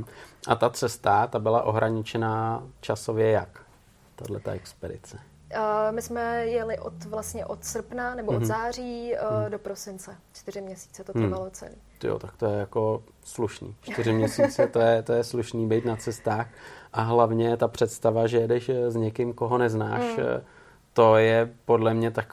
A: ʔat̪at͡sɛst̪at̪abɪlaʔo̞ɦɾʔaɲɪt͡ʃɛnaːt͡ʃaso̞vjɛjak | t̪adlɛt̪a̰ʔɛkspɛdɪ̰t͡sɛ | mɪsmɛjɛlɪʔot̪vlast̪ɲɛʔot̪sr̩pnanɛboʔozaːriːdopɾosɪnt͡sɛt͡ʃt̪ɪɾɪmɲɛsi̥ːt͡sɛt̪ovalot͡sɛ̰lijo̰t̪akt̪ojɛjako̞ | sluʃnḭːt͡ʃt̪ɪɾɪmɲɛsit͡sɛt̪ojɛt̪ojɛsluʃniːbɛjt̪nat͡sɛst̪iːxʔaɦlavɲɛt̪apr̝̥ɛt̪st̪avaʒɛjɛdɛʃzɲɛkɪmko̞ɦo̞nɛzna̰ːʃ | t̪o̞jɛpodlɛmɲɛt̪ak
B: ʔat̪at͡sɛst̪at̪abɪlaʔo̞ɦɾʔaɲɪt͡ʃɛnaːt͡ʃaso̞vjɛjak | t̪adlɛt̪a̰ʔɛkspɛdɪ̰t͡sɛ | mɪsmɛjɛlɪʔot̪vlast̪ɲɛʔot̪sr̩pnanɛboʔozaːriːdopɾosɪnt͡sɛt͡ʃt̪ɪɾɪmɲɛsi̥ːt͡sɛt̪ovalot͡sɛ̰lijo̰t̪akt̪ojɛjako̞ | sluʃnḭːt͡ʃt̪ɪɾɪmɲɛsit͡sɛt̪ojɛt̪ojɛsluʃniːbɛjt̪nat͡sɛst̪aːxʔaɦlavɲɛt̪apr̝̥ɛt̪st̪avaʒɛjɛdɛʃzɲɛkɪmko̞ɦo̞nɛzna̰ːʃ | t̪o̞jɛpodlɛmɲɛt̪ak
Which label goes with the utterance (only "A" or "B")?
B